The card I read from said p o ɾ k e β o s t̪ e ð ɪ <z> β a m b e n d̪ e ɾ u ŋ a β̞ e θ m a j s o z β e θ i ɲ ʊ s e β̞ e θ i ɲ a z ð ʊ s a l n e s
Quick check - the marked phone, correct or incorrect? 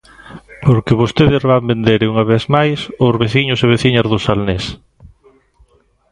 correct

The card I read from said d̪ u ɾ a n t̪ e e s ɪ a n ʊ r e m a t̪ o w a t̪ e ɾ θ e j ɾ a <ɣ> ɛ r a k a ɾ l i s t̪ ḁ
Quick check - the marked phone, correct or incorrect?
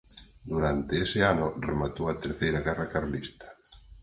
correct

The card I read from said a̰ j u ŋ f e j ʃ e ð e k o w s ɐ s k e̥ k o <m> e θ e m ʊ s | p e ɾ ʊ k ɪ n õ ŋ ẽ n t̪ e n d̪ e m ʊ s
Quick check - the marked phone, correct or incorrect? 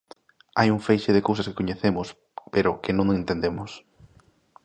incorrect: ɲ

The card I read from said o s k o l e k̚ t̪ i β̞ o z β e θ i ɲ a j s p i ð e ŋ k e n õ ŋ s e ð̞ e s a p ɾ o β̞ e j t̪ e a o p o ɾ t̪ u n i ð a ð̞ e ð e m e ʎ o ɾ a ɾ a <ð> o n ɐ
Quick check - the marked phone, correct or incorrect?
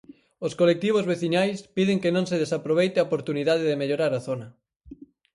incorrect: θ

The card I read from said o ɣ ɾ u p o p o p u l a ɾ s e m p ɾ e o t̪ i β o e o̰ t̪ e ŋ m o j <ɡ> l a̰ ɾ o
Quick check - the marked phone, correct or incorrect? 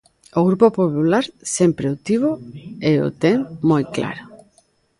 incorrect: k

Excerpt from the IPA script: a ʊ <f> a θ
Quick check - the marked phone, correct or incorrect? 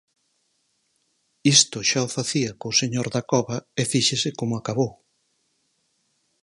correct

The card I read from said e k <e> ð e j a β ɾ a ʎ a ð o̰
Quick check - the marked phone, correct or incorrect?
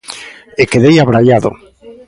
correct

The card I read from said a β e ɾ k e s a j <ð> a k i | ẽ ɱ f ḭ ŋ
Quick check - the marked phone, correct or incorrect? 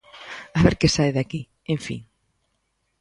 correct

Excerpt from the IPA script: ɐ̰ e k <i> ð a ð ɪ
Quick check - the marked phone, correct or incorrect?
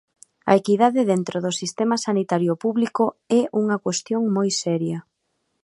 correct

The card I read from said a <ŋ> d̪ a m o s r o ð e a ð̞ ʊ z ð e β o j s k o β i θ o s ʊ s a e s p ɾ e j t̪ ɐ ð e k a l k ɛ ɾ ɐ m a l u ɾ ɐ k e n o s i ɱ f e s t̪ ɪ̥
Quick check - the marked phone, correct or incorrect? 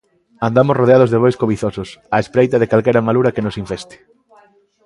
incorrect: n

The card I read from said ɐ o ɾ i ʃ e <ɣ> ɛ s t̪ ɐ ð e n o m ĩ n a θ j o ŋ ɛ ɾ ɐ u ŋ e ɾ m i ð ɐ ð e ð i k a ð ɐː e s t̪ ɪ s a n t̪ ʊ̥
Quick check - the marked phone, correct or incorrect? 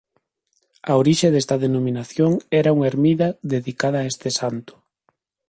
incorrect: ð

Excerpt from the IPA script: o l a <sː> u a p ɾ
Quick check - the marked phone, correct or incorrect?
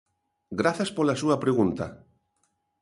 incorrect: s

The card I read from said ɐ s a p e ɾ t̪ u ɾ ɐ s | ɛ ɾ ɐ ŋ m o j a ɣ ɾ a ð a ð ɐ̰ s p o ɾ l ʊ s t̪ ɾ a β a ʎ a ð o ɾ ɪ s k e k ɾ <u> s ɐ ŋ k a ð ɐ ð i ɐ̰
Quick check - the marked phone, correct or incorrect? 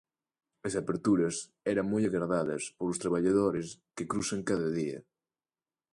correct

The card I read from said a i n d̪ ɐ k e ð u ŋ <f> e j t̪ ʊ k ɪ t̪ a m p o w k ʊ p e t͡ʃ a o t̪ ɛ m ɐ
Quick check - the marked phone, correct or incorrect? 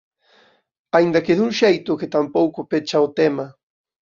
incorrect: ʃ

